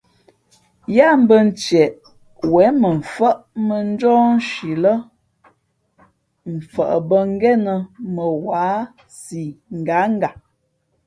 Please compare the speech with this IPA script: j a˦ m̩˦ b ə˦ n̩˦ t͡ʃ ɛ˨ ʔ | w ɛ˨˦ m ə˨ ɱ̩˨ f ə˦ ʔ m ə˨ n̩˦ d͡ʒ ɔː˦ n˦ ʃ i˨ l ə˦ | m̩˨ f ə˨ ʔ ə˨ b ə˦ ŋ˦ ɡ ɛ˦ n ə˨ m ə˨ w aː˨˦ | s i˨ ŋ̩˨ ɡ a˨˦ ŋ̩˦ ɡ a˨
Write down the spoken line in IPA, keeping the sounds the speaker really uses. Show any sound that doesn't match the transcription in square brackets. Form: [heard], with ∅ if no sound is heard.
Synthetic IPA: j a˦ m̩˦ b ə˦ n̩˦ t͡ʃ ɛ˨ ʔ | w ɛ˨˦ m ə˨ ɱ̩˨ f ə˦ ʔ m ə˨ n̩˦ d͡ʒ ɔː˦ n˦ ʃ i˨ l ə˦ | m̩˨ f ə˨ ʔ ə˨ b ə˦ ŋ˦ ɡ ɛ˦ n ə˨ m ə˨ w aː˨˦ | s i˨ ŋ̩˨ ɡ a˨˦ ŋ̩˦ ɡ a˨